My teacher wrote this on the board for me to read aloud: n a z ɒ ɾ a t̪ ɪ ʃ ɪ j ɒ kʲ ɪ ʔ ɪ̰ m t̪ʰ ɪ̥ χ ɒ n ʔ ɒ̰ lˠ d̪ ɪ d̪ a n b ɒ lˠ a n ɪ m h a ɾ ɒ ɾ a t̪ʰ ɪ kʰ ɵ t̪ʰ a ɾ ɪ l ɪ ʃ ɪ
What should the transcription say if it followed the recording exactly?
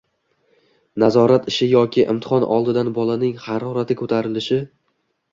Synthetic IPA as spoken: n a z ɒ ɾ a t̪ ɪ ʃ ɪ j ɒ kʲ ɪ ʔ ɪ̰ m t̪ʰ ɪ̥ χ ɒ n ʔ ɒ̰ lˠ d̪ ɪ d̪ a n b ɒ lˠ a n ɪ ŋ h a ɾ ɒ ɾ a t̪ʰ ɪ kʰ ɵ t̪ʰ a ɾ ɪ l ɪ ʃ ɪ